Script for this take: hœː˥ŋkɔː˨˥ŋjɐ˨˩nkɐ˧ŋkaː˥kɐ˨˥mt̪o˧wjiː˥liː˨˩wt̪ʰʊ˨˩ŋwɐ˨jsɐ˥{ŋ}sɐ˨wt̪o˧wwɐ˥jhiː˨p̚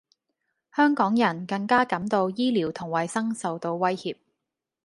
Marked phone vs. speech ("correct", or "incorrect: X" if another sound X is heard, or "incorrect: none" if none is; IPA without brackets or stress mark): correct